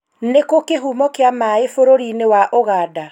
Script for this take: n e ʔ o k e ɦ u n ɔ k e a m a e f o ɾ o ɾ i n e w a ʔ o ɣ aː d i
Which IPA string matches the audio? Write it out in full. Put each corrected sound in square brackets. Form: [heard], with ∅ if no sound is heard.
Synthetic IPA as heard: n e [k] o k e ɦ u [m] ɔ k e a m a e f o ɾ o ɾ i n e w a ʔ o ɣ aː d [a]